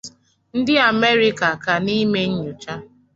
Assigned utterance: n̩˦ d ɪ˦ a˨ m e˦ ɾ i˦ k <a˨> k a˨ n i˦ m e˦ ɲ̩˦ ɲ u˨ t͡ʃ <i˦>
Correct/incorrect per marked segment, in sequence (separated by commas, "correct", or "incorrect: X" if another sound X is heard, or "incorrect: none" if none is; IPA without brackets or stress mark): correct, incorrect: a˦